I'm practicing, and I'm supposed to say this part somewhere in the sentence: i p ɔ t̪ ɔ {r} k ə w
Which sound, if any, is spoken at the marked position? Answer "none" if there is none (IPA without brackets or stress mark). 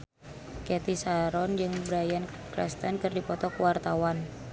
none